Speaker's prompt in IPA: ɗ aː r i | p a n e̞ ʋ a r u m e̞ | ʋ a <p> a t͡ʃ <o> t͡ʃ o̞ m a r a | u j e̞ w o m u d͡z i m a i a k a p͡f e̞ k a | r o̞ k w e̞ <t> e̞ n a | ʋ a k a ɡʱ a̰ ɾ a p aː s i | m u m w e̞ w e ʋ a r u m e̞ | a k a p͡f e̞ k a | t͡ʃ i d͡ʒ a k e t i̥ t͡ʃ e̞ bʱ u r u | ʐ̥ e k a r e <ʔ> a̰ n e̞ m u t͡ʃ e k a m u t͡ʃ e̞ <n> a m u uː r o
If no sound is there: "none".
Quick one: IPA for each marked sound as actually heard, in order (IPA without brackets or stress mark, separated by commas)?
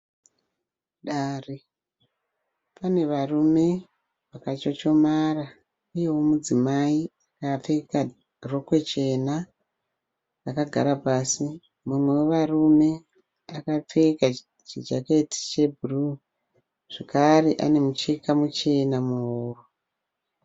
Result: k, o, t͡ʃ, ʔ, n